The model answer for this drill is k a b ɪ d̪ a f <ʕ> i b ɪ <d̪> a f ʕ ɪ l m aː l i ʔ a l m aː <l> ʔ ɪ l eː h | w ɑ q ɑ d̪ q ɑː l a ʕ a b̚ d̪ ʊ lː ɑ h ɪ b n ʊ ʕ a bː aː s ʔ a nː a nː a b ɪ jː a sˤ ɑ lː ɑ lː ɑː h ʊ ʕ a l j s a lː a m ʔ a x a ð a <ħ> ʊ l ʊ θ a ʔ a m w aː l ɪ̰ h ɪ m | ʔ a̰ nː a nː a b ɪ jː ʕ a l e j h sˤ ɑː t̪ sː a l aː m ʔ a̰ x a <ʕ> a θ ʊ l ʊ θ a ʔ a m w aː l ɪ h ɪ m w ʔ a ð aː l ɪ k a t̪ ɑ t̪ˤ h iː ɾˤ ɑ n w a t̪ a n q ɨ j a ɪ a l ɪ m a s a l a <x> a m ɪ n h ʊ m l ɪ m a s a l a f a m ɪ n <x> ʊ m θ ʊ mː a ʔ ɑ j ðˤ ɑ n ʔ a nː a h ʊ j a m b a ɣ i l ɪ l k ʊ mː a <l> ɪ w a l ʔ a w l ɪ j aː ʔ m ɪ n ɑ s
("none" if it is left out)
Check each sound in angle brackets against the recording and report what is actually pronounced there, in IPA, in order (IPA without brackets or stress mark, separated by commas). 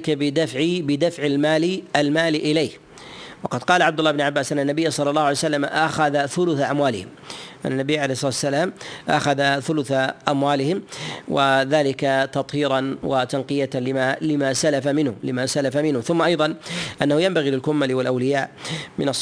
ʕ, d̪, l, θ, ð, f, h, l